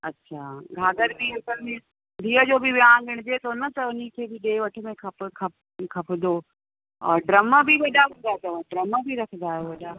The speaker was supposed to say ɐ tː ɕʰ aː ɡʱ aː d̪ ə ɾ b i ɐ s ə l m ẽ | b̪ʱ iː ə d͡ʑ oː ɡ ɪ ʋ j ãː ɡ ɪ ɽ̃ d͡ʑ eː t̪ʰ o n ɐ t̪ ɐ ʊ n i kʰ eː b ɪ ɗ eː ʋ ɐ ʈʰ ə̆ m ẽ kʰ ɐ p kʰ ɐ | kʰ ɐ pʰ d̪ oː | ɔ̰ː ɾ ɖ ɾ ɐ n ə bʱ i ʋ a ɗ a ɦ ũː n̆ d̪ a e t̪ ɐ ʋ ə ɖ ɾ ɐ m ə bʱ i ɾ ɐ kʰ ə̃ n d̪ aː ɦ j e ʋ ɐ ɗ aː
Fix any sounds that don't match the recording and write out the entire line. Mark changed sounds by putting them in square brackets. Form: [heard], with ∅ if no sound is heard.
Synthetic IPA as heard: ɐ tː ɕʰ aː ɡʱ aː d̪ ə ɾ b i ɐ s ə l m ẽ | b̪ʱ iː ə d͡ʑ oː [b] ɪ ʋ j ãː ɡ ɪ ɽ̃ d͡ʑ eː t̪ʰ o n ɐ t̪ ɐ ʊ n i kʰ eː b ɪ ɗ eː ʋ ɐ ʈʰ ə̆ m ẽ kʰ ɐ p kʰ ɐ | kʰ ɐ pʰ d̪ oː | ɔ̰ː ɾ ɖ ɾ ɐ [m] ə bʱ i ʋ [ɐ] ɗ a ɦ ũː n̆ d̪ a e t̪ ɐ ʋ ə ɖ ɾ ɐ m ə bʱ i ɾ ɐ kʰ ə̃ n d̪ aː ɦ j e ʋ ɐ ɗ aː